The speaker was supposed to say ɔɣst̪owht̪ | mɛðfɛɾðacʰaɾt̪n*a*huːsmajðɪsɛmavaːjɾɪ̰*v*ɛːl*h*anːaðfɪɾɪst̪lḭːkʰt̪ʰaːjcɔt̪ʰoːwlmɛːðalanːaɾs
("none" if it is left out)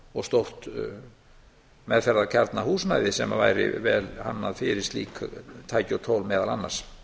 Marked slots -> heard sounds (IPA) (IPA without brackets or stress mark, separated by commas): a, v, h